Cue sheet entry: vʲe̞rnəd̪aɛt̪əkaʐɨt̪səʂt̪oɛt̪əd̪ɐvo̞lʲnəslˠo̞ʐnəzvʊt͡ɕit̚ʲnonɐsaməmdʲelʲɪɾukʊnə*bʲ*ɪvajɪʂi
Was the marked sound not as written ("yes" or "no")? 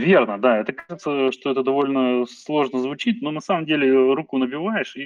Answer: no